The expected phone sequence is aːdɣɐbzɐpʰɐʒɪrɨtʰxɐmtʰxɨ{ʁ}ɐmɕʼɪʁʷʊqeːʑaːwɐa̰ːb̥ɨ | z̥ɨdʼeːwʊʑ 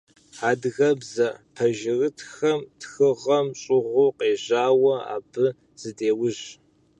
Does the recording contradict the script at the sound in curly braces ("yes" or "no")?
no